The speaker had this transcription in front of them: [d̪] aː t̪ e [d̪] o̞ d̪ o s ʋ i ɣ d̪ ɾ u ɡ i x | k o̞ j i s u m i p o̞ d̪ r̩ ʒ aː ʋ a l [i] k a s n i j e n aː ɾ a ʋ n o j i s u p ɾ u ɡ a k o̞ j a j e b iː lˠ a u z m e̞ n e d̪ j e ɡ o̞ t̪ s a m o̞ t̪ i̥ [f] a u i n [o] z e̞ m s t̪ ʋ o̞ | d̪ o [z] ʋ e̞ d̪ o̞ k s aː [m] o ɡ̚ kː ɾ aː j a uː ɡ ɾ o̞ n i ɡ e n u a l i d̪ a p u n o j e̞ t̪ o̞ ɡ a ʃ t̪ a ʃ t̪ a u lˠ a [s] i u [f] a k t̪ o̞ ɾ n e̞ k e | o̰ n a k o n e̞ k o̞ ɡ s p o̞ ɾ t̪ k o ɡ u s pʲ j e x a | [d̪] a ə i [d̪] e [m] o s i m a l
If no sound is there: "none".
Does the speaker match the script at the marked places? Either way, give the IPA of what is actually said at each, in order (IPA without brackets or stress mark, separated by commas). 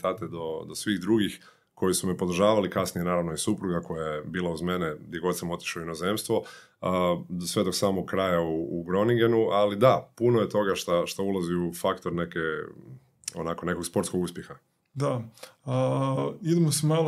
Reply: t̪, d̪, i, ʃ, o, s, m, z, f, d̪, d̪, m